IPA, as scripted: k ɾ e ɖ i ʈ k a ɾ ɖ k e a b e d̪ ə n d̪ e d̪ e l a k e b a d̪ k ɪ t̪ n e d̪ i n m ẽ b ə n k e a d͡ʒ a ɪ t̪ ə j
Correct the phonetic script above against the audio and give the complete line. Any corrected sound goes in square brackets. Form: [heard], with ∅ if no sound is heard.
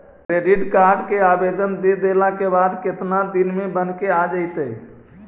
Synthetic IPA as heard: k ɾ e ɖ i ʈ k a ɾ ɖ k e a b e d̪ ə n d̪ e d̪ e l a k e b a d̪ k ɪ t̪ n [a] d̪ i n m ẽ b ə n k e a d͡ʒ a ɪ t̪ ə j